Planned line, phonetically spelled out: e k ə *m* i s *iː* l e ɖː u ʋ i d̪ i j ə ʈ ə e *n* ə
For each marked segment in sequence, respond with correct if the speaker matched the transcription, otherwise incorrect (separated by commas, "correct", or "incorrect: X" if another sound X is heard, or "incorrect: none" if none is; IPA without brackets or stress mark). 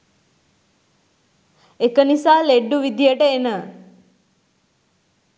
incorrect: n, incorrect: aː, correct